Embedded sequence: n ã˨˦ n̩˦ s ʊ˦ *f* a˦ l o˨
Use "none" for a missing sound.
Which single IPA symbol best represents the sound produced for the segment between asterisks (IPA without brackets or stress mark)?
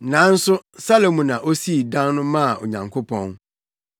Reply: s